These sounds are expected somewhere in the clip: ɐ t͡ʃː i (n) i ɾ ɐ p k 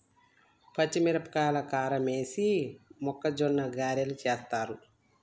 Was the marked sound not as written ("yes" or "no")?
yes